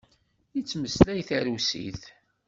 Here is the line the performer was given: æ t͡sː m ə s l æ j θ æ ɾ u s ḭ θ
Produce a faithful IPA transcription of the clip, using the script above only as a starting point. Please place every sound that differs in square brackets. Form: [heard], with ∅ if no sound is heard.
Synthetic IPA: [i] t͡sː m ə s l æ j θ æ ɾ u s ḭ θ